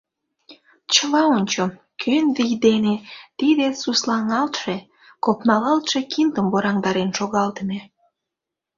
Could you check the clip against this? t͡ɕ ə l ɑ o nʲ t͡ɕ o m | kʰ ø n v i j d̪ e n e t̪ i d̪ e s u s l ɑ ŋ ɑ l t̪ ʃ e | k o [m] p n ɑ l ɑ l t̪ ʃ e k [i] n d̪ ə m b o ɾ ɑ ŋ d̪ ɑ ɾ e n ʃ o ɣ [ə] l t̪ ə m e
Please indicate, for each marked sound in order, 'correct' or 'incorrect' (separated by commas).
incorrect, correct, incorrect